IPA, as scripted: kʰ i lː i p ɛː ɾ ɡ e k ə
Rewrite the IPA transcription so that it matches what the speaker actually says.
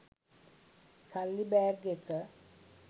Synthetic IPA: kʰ a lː i b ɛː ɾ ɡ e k ə